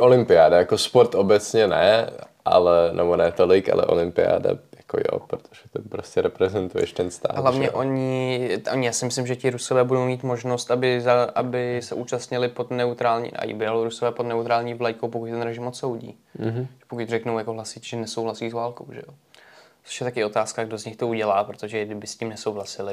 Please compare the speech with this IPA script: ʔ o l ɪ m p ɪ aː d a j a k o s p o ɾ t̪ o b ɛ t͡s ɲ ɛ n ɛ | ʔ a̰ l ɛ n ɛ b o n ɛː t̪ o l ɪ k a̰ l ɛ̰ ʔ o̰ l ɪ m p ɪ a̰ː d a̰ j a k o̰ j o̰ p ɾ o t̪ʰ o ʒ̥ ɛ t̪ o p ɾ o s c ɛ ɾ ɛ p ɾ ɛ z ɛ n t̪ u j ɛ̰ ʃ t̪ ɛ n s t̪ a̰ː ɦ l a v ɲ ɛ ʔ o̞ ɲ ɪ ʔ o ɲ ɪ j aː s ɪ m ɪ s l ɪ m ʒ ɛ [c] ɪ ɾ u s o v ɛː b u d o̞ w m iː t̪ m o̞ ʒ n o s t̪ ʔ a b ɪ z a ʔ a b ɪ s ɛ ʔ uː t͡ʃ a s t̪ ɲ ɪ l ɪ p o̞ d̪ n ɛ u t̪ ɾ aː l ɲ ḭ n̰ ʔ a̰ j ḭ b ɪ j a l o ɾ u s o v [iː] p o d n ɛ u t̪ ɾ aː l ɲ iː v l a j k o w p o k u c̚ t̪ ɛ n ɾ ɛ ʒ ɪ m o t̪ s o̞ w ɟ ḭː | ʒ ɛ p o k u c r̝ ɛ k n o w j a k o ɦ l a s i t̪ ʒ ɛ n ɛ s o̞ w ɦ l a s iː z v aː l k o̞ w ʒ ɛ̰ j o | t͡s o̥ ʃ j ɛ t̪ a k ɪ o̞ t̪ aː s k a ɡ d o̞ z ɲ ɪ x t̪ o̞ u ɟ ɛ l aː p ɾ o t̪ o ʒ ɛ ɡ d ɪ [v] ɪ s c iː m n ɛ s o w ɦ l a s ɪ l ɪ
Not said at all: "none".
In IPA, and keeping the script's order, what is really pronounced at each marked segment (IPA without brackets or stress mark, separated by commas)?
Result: c, ɛː, b